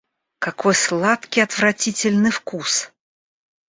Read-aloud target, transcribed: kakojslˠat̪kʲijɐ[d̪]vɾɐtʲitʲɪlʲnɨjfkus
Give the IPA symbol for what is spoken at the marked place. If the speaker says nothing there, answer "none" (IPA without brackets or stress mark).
t̪